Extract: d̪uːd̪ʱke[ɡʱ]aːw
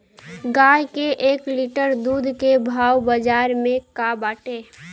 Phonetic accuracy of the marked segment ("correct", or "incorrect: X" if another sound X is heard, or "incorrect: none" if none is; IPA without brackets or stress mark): incorrect: bʱ